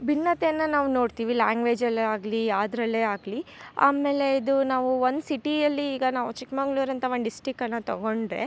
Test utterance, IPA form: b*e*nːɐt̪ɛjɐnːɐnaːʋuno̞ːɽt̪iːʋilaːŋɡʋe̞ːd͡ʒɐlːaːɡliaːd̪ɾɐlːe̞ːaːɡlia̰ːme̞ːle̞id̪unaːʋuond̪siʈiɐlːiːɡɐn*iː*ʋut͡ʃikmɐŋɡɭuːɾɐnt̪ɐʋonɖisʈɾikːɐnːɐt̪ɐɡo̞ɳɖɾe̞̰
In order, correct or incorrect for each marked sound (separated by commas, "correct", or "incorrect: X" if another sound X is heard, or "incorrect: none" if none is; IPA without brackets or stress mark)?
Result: incorrect: i, incorrect: aː